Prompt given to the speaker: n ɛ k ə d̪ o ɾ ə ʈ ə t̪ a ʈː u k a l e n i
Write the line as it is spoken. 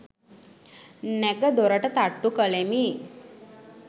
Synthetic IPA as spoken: n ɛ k ə d̪ o ɾ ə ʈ ə t̪ a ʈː u k ə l e m i